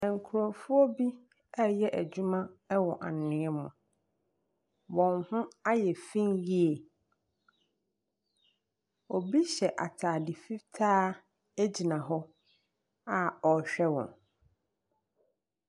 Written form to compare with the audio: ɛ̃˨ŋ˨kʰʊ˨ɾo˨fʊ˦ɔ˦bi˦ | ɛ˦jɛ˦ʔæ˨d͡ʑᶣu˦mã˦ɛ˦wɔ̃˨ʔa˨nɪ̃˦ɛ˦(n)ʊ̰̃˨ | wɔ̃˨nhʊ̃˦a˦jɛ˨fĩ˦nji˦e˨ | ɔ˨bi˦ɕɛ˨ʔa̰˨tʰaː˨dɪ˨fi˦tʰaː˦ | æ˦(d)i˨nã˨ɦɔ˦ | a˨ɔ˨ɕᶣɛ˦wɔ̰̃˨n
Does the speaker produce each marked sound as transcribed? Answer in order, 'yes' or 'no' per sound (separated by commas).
no, no